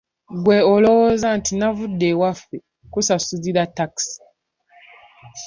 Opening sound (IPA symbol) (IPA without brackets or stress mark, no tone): ɡ